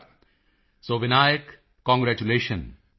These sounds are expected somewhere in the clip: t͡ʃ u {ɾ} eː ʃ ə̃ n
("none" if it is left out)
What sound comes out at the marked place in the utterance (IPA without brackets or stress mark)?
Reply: l